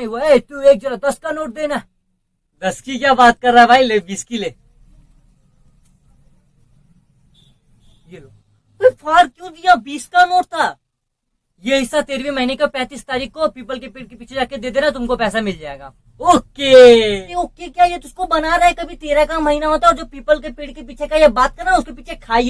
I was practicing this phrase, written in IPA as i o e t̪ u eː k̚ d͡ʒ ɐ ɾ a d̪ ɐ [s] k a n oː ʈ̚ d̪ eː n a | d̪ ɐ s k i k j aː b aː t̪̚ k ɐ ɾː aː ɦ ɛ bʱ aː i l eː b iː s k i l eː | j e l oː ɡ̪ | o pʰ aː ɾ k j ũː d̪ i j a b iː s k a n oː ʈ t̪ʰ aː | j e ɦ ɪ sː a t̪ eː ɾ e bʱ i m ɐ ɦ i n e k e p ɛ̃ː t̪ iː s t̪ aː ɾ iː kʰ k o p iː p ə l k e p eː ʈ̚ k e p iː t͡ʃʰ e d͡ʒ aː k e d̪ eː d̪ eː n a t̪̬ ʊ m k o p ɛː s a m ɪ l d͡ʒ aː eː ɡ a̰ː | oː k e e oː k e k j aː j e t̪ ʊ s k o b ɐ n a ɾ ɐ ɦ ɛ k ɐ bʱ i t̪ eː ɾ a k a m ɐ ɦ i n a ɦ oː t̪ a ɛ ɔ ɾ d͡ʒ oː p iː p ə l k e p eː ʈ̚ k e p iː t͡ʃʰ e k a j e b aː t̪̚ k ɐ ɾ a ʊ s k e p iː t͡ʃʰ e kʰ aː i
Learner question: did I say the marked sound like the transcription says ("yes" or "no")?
yes